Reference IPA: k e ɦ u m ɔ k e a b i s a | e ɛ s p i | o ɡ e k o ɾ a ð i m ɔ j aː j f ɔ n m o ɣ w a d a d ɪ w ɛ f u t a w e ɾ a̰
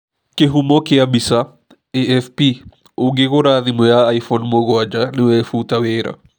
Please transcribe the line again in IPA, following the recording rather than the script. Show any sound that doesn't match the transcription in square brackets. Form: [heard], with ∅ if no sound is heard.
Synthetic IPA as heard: k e ɦ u m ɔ k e a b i s a | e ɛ [f] p i | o ɡ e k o ɾ a ð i m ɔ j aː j f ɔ n m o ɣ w a [d͡ʒ] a [n] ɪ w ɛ f u t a w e ɾ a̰